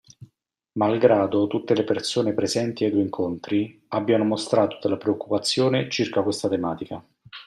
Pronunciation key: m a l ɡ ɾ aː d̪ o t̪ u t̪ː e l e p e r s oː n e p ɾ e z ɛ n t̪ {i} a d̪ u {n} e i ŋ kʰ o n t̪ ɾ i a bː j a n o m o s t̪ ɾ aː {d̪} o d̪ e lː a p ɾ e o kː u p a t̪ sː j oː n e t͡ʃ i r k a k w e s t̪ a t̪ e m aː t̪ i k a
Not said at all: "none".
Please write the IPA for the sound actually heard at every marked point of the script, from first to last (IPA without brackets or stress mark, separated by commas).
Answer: i, none, t̪